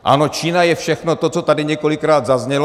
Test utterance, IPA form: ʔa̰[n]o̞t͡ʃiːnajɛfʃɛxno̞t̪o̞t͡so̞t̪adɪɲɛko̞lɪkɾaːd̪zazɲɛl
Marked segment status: correct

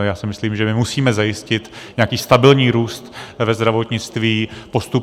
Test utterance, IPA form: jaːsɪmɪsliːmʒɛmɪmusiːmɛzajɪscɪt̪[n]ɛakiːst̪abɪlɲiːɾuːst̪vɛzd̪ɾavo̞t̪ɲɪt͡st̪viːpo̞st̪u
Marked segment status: incorrect: ɲ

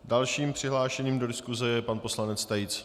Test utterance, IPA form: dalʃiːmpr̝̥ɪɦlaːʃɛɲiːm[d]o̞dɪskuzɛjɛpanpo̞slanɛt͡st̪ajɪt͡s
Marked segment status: correct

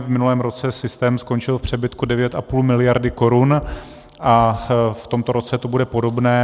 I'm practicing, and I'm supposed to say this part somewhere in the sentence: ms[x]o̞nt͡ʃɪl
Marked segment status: incorrect: k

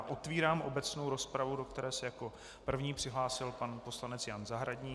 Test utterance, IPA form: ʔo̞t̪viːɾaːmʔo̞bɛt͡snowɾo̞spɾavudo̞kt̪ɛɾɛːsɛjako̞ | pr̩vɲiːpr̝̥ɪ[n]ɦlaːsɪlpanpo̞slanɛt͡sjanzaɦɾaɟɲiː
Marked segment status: incorrect: none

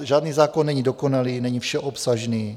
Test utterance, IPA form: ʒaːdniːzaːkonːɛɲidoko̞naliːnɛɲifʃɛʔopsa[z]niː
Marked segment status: incorrect: ʒ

